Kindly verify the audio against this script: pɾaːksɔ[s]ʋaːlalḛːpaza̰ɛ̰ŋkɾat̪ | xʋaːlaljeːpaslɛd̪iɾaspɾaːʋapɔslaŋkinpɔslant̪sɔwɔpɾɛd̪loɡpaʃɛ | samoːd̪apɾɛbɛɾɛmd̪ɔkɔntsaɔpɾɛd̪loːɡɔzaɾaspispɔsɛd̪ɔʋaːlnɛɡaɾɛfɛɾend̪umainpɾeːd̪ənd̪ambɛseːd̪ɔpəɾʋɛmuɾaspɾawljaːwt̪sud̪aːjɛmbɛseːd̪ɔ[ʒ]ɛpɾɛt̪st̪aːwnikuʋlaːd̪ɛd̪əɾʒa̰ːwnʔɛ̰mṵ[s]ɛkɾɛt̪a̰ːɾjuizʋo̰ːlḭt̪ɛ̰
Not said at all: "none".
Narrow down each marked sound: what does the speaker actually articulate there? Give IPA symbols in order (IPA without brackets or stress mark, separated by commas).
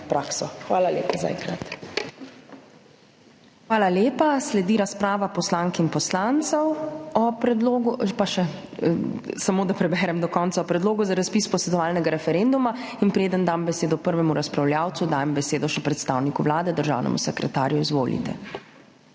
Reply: x, ʃ, s